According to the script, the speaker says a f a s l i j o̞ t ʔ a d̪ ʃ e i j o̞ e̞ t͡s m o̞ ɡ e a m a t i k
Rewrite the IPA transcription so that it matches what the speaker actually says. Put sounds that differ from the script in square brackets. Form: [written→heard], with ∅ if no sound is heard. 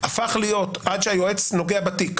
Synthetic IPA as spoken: a f a [s→χ] l i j o̞ t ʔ a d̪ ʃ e [i→a] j o̞ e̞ t͡s [m→n] o̞ ɡ e a [m→b] a t i k